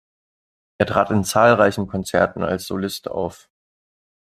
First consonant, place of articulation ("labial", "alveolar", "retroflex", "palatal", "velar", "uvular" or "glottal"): glottal